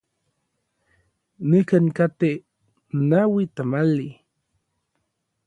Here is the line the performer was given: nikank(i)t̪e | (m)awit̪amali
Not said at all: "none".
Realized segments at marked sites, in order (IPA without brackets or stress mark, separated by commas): a, n